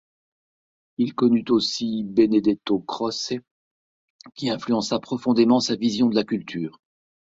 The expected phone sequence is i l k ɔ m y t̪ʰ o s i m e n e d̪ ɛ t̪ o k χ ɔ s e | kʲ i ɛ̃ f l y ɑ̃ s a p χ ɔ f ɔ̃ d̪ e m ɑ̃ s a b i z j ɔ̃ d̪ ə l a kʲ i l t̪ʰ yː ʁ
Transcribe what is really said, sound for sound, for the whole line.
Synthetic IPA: i l k ɔ n y t̪ o s i b e n e d̪ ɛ t̪ o k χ ɔ s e | kʲ i ɛ̃ f l y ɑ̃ s a p χ ɔ f ɔ̃ d̪ e m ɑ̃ s a v i z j ɔ̃ d̪ ə l a kʲ y l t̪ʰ yː ʁ